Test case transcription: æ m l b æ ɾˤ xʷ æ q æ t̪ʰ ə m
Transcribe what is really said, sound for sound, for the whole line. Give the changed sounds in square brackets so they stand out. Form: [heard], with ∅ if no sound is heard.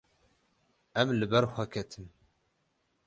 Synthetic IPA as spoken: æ m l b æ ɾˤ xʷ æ [k] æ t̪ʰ ə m